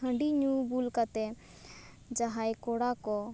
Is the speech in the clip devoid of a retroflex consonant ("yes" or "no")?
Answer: no